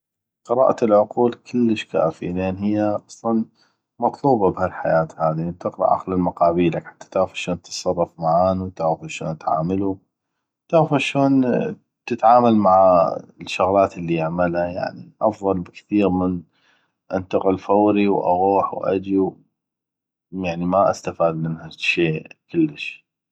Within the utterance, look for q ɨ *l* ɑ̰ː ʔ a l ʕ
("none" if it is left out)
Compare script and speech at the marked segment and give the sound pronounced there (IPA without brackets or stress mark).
ɾ